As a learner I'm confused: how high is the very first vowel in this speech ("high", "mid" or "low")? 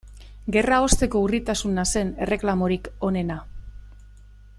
mid